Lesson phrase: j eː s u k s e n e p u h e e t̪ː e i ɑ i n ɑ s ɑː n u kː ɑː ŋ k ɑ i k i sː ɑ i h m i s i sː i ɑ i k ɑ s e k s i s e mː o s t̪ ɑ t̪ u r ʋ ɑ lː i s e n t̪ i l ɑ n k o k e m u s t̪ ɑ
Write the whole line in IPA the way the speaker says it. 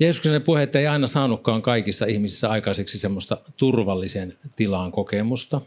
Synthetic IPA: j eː s u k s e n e p u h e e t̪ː e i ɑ i n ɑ s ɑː n u kː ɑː ŋ k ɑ i k i sː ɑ i h m i s i sː æ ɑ i k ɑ s e k s i s e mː o s t̪ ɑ t̪ u r ʋ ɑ lː i s e n t̪ i l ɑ ŋ k o k e m u s t̪ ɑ